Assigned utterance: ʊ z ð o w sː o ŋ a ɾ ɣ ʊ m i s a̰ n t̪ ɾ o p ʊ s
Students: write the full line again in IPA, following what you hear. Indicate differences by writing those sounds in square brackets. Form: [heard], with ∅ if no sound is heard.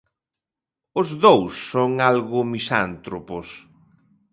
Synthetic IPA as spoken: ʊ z ð o w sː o ŋ a [l] ɣ ʊ m i s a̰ n t̪ ɾ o p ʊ s